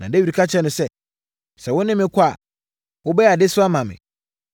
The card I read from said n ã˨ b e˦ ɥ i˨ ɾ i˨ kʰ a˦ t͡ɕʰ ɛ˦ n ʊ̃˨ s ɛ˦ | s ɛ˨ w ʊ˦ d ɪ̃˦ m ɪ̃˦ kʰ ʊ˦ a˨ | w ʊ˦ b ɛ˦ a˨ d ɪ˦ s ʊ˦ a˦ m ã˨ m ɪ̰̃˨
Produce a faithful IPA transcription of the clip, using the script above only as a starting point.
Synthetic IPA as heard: n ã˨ d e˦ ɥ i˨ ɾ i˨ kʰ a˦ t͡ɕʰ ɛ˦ n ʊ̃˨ s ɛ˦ | s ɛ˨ w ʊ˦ n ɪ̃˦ m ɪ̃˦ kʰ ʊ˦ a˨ | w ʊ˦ b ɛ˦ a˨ d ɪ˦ s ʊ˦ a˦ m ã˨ m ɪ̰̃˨